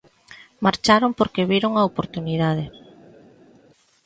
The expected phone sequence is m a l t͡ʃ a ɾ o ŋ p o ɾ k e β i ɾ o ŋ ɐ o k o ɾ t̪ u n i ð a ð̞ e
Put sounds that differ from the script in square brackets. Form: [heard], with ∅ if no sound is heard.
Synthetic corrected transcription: m a [ɾ] t͡ʃ a ɾ o [m] p o ɾ k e β i ɾ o ŋ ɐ o [p] o ɾ t̪ u n i ð a ð̞ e

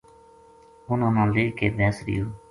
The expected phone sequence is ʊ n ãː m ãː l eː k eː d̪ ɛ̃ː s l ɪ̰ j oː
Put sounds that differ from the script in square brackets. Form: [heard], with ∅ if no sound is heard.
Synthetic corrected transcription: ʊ n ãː [n] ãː l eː k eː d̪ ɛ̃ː s [ɾ] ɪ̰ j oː

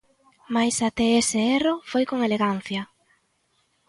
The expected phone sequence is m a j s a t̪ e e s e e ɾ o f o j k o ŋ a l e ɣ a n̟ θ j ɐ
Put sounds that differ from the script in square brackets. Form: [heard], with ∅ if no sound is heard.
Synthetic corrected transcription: m a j s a t̪ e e s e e [r] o f o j k o ŋ [e] l e ɣ a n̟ θ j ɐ

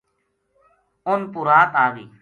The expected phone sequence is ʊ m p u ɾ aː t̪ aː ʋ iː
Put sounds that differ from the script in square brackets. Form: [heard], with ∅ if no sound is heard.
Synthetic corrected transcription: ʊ [n] p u ɾ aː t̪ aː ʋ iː

